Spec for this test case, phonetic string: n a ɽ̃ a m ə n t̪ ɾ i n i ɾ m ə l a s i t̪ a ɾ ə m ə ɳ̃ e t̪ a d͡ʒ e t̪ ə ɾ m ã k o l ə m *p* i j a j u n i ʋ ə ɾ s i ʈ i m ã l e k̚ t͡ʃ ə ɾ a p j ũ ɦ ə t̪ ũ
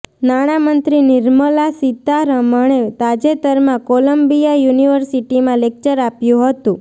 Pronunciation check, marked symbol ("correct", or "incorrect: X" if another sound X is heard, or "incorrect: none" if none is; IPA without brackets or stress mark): incorrect: b